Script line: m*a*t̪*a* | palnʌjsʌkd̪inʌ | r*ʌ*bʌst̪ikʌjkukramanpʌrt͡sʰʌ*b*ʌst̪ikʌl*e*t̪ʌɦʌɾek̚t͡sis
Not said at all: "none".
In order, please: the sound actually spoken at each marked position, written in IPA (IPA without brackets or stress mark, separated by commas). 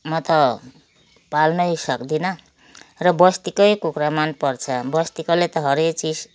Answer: ʌ, ʌ, ʌ, b, e